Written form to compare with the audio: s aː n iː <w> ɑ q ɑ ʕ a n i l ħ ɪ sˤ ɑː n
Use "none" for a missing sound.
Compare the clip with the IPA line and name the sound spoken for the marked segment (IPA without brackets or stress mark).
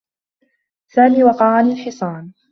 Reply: w